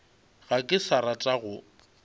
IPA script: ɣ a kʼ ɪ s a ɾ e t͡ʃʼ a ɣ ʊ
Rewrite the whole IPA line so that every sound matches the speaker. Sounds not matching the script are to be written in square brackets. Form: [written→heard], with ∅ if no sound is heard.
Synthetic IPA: ɣ a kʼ ɪ s a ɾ [e→a] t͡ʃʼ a ɣ ʊ

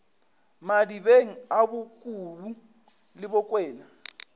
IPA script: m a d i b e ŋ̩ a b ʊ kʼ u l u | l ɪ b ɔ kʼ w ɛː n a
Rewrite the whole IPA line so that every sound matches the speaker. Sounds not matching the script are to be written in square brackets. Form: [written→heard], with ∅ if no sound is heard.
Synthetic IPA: m a d i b e ŋ̩ a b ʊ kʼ u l u | l ɪ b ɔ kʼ w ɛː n a

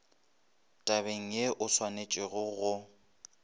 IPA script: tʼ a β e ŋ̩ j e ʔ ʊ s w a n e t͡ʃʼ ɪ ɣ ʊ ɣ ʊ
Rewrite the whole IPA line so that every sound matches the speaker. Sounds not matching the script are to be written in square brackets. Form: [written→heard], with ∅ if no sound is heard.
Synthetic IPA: tʼ a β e ŋ̩ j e ʔ ʊ s w a n e t͡ʃʼ ɪ ɣ ʊ ɣ ʊ

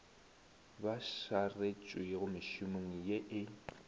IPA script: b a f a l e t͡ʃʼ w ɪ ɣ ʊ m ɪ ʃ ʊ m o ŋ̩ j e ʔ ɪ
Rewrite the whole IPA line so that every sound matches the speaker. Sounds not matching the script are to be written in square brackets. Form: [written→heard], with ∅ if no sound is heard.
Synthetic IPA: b a [f→ʃ] a [l→r] e t͡ʃʼ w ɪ ɣ ʊ m ɪ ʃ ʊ m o ŋ̩ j e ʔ ɪ

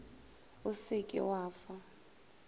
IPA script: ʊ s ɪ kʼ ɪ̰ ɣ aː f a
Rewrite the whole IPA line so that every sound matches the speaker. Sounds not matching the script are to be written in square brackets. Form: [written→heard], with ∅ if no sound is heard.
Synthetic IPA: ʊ s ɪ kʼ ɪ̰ [ɣ→w] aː f a

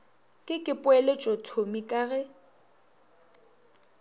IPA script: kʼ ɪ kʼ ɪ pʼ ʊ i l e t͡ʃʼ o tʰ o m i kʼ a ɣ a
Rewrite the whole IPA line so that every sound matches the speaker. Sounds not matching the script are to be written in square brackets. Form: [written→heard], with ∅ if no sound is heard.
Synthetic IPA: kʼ ɪ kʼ ɪ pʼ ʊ [i→ɛ] l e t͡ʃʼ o tʰ o m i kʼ a ɣ [a→ɛ]

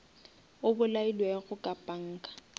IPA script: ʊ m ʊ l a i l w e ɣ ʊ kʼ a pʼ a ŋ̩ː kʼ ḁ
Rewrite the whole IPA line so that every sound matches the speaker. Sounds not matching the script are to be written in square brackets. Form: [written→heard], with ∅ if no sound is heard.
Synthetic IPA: ʊ [m→b] ʊ l a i l w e ɣ ʊ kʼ a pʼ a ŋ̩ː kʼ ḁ

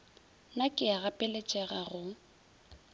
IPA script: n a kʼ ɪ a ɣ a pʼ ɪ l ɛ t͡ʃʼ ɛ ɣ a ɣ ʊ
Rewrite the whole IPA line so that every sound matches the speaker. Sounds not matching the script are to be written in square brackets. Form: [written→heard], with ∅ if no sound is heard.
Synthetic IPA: n a kʼ ɪ a ɣ a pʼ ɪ l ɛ t͡ʃʼ ɛ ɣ a ɣ ʊ

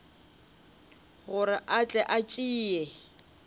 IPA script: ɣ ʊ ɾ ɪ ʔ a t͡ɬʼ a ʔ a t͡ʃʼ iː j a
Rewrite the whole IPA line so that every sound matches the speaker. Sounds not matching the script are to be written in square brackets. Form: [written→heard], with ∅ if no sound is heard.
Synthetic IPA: ɣ ʊ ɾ ɪ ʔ a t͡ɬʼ [a→ɛ] ʔ a t͡ʃʼ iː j [a→ɛ]

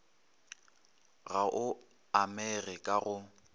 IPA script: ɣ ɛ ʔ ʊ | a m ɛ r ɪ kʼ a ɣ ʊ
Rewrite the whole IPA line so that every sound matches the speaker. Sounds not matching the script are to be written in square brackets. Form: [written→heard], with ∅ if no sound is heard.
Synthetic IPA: ɣ [ɛ→a] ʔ ʊ | a m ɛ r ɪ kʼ a ɣ ʊ

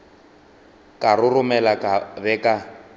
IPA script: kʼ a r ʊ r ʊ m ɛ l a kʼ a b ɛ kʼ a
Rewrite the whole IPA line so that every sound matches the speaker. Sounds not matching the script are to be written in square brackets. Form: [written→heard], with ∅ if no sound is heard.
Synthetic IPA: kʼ a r ʊ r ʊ m ɛ l a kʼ a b ɛ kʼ a

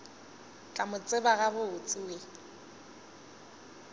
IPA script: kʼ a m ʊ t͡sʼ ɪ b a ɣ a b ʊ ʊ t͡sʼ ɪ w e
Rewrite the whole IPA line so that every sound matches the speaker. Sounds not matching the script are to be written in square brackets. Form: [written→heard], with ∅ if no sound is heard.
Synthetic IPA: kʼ a m ʊ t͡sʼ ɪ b a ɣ a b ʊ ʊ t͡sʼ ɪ w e

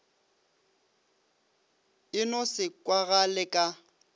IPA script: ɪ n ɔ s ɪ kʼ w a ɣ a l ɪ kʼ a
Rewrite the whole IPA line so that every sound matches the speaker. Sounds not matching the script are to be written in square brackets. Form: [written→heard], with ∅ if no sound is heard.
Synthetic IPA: ɪ n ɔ s ɪ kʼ w a ɣ a l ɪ kʼ a

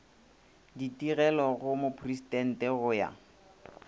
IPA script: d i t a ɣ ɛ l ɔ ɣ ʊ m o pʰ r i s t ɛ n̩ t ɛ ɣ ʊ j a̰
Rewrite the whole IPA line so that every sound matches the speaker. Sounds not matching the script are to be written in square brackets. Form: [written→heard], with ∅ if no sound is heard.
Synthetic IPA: d i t [a→i] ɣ ɛ l ɔ ɣ ʊ m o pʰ r i s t ɛ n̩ t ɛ ɣ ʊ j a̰

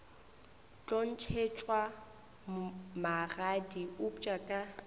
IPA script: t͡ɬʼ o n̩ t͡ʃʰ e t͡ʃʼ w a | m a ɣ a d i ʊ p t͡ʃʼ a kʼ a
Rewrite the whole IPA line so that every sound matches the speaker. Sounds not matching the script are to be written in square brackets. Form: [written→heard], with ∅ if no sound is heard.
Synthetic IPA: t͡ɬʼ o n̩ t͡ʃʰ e t͡ʃʼ w a | m a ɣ a d i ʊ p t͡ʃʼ a kʼ a

